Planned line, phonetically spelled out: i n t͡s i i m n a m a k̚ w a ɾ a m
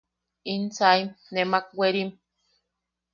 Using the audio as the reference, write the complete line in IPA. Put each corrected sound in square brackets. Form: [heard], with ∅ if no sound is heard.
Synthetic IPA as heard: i n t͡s [a] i m n [e] m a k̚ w [e] ɾ [i] m